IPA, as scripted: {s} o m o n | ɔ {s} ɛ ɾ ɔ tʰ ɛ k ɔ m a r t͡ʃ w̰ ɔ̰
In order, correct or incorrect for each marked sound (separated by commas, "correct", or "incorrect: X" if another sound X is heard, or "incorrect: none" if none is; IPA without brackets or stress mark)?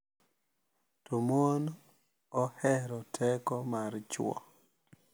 incorrect: t, incorrect: h